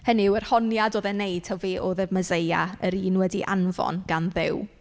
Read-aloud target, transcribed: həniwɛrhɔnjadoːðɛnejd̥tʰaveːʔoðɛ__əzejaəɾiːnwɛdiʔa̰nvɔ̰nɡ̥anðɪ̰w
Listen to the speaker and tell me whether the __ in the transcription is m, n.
m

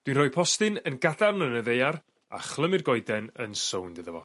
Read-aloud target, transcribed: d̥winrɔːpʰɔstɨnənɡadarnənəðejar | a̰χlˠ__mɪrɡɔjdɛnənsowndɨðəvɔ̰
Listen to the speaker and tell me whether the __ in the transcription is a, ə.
ə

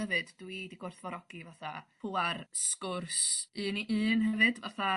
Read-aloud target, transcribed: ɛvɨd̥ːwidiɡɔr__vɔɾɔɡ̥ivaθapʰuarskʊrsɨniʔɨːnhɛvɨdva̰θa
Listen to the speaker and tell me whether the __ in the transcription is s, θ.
θ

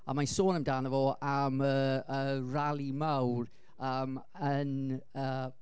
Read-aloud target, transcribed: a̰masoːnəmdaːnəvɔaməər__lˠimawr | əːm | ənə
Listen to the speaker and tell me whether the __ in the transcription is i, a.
a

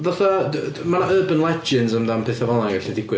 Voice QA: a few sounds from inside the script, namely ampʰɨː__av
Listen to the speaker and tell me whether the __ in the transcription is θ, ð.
θ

